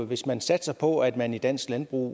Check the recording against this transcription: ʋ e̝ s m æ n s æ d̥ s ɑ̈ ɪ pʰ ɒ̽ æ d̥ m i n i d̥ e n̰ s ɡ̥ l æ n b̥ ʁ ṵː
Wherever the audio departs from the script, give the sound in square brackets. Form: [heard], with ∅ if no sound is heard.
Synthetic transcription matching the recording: ʋ e̝ s m æ n s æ d̥ s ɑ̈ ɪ pʰ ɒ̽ æ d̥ m [æ] n i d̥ [æ] n̰ s ɡ̥ l æ n b̥ ʁ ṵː

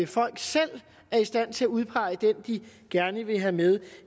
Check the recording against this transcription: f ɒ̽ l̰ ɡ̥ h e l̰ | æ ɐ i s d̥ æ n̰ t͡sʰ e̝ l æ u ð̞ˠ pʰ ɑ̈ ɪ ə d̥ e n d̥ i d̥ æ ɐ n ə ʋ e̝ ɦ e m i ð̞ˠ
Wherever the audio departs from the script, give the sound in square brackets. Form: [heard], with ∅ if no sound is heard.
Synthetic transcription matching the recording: f ɒ̽ l̰ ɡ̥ [s] e l̰ | æ ɐ i s d̥ æ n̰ t͡sʰ e̝ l æ u ð̞ˠ pʰ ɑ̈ ɪ ə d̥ e n d̥ i [ɡ̥] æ ɐ n ə ʋ e̝ ɦ [æ] m [e] ð̞ˠ

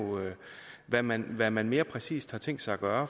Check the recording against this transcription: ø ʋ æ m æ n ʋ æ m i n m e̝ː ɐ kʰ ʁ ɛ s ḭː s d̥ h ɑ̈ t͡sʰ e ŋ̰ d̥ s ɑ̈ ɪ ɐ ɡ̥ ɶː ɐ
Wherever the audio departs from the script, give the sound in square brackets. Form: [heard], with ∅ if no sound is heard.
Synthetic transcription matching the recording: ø ʋ æ m æ n ʋ æ m [æ] n m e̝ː ɐ [pʰ] ʁ ɛ s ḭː s d̥ h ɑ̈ t͡sʰ e ŋ̰ d̥ s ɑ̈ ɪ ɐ ɡ̥ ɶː ɐ

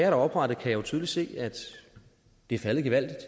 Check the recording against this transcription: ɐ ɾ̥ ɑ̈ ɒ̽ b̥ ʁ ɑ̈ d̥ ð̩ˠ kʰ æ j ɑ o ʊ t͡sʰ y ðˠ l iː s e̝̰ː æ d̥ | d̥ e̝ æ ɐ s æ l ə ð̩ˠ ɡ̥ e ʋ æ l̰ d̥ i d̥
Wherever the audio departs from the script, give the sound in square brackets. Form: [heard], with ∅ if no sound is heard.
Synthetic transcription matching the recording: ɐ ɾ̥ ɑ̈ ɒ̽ b̥ ʁ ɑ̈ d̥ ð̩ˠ kʰ æ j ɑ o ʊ t͡sʰ y ðˠ l [i] s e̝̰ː æ d̥ | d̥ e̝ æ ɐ [f] æ l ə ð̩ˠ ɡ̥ e ʋ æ l̰ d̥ i d̥

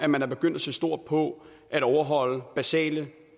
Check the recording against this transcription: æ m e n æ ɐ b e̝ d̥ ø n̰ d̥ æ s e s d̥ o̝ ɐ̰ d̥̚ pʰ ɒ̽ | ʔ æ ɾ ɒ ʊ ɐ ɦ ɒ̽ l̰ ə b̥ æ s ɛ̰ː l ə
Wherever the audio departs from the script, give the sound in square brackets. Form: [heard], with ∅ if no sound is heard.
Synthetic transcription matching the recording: æ m [æ] n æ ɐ b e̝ [ɡ̥] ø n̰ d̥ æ s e s d̥ o̝ ɐ̰ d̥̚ pʰ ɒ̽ | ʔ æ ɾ ɒ ʊ ɐ ɦ ɒ̽ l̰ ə b̥ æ s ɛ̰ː l ə

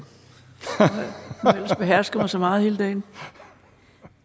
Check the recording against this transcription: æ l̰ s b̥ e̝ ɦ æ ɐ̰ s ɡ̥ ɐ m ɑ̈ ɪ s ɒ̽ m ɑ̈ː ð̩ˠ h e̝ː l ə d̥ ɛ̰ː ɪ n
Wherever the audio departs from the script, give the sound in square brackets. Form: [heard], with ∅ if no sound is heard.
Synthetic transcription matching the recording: [e] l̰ s b̥ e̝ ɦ æ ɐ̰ s ɡ̥ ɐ m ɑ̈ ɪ s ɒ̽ m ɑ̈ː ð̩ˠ h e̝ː l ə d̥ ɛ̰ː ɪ n

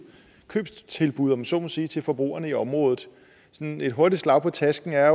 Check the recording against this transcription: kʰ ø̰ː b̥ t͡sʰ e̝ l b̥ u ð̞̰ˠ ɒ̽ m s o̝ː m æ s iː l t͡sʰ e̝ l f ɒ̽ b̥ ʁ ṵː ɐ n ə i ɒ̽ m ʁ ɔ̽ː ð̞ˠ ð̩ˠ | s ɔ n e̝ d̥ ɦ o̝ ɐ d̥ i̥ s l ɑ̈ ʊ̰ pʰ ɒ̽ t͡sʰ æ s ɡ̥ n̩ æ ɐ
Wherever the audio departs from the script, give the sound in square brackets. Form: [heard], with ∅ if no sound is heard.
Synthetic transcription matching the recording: kʰ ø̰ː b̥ t͡sʰ e̝ l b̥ u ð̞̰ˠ ɒ̽ m s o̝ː m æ s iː [∅] t͡sʰ e̝ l f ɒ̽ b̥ ʁ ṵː ɐ n ə i ɒ̽ m ʁ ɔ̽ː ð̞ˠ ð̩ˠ | s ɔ n e̝ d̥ ɦ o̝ ɐ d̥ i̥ s l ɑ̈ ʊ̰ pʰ ɒ̽ t͡sʰ æ s ɡ̥ n̩ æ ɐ

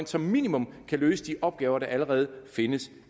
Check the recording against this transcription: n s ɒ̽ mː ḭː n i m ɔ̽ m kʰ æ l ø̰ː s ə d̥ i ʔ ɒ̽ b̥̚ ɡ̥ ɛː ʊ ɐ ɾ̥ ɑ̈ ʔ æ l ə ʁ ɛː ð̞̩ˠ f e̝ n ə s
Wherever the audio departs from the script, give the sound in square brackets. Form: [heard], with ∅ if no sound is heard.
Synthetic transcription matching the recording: n s ɒ̽ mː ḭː n i m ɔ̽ m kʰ æ l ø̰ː s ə d̥ i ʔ ɒ̽ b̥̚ ɡ̥ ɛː ʊ ɐ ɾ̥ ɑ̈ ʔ æ l ə ʁ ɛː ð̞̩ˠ f e̝ n ə s

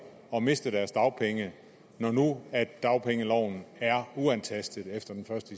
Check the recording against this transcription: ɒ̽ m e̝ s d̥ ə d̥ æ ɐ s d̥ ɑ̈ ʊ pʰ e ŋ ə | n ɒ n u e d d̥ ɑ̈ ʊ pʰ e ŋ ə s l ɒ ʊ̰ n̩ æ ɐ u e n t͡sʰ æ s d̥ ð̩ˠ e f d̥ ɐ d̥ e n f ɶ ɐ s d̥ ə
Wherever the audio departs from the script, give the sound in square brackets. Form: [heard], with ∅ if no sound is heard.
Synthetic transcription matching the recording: ɒ̽ m e̝ s d̥ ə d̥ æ ɐ s d̥ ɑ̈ ʊ pʰ e ŋ ə | n ɒ n u [æ] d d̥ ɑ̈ ʊ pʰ e ŋ ə [∅] l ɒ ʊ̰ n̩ æ ɐ u [æ] n t͡sʰ æ s d̥ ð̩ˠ e f d̥ ɐ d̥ e n f ɶ ɐ s d̥ ə

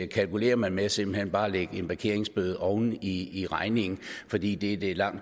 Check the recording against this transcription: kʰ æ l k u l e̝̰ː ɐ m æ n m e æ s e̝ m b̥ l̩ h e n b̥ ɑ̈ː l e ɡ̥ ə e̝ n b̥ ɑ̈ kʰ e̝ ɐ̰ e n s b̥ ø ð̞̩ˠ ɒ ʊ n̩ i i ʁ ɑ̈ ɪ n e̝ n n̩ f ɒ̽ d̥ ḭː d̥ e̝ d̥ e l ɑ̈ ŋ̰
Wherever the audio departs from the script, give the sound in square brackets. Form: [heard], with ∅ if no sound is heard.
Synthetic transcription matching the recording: kʰ æ l k u l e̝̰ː ɐ m æ n m e æ s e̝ m b̥ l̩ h e n b̥ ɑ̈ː l e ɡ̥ ə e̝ n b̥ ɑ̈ kʰ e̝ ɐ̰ e [ŋ] s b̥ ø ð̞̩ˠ ɒ ʊ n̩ i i ʁ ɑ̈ ɪ n e̝ [ŋ] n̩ f ɒ̽ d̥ ḭː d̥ e̝ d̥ e l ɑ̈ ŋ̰

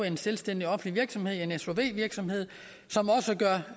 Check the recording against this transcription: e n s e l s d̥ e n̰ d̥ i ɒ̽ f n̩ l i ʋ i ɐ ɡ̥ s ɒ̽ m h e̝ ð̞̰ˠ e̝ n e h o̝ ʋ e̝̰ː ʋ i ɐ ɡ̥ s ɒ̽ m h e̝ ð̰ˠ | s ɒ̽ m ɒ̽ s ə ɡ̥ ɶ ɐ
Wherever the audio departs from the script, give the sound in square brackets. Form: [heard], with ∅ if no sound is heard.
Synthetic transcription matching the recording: e n s e l s d̥ e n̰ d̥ i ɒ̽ f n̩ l i ʋ i ɐ ɡ̥ s ɒ̽ m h e̝ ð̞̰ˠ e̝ n e [s] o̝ ʋ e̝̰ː ʋ i ɐ ɡ̥ s ɒ̽ m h e̝ ð̰ˠ | s ɒ̽ m ɒ̽ s ə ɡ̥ ɶ ɐ

